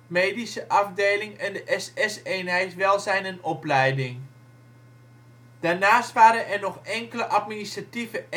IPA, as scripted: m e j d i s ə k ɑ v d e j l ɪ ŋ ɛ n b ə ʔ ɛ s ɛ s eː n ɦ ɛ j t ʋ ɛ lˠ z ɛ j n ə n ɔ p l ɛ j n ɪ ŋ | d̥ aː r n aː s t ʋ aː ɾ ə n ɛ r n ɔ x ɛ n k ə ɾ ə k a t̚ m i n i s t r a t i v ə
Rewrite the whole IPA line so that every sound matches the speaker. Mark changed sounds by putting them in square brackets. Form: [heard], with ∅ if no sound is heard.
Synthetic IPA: m e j d i s ə [ʔ] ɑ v d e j l ɪ ŋ ɛ n [d] ə ʔ ɛ s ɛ s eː n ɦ ɛ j t ʋ ɛ lˠ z ɛ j n ə n ɔ p l ɛ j [d] ɪ ŋ | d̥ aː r n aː s t ʋ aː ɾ ə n ɛ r n ɔ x ɛ [ŋ] k ə [l] ə [ʔ] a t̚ m i n i s t r a t i v ə